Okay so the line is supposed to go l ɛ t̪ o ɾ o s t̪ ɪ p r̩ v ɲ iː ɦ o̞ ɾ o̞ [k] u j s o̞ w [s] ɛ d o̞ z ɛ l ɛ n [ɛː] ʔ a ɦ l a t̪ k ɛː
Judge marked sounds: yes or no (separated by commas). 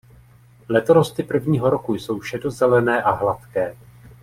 yes, no, yes